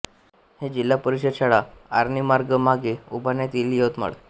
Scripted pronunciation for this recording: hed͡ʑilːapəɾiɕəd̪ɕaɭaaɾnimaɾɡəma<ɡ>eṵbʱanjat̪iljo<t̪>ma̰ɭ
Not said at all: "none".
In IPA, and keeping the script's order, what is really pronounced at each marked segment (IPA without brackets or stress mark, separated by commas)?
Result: ɡ, t̪